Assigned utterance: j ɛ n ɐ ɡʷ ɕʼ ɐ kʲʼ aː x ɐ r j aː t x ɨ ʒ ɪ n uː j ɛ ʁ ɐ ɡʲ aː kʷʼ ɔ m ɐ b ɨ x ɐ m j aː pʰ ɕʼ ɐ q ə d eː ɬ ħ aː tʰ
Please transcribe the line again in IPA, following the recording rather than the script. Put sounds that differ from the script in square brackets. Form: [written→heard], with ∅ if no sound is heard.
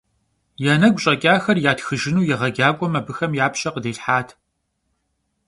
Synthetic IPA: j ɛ n ɐ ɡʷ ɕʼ ɐ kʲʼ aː x ɐ r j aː t x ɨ ʒ ɪ n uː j ɛ ʁ ɐ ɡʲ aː kʷʼ ɔ m ɐ b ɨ x ɐ m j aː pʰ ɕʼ ɐ q ə d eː ɬ ħ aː tʰ